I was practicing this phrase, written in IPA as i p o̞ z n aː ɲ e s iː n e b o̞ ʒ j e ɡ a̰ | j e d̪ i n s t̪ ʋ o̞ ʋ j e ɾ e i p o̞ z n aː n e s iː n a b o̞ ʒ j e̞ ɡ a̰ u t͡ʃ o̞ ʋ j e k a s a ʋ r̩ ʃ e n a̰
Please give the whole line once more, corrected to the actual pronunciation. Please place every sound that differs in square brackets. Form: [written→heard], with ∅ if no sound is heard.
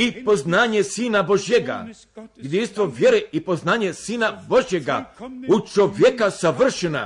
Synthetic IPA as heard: i p o̞ z n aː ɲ e s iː n [e→a] b o̞ ʒ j e ɡ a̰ | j e d̪ i n s t̪ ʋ o̞ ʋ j e ɾ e i p o̞ z n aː [n→ɲ] e s iː n a b o̞ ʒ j e̞ ɡ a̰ u t͡ʃ o̞ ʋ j e k a s a ʋ r̩ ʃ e n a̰